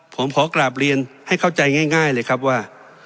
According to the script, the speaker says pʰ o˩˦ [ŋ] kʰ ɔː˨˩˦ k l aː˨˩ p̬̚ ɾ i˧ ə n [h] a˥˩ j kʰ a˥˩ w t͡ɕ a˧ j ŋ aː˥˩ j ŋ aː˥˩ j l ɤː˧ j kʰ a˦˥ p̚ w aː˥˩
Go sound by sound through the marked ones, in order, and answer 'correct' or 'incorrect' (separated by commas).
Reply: incorrect, correct